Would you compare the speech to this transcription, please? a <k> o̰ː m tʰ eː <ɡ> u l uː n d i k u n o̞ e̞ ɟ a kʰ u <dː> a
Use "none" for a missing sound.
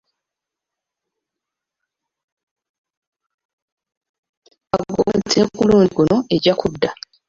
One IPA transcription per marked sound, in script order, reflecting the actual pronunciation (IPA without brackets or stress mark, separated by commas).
ɡ, k, dː